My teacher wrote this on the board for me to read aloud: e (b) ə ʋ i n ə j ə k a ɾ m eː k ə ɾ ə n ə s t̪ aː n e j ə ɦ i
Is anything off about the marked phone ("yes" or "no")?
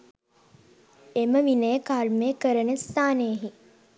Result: yes